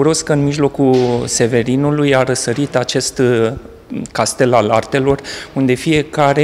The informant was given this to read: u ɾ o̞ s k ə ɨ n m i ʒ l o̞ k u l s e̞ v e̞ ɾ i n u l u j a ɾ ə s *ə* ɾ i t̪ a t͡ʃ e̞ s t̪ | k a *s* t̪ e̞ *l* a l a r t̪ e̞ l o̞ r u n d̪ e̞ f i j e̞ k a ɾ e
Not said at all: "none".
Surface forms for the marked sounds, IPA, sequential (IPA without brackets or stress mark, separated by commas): ə, s, l